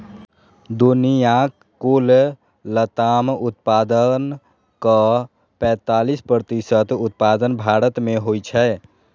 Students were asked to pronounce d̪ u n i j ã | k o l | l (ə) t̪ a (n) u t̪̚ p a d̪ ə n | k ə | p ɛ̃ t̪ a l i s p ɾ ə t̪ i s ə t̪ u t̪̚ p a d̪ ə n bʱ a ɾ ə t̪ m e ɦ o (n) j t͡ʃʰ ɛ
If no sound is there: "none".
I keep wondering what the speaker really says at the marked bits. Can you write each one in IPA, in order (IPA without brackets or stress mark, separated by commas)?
ə, m, none